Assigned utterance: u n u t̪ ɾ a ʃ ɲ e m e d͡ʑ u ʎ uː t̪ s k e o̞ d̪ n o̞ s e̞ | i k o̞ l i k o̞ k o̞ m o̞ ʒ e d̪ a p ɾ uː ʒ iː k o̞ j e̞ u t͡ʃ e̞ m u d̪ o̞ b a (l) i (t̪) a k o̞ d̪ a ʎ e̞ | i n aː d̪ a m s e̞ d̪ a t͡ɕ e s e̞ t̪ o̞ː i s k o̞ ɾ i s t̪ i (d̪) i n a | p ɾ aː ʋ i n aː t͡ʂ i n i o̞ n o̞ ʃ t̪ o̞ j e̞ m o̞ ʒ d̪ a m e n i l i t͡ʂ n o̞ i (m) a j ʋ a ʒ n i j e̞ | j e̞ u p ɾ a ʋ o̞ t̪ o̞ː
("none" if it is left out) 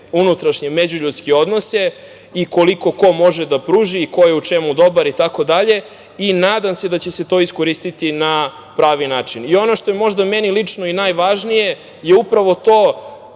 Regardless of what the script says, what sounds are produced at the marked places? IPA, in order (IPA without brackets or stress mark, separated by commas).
ɾ, t̪, t̪, n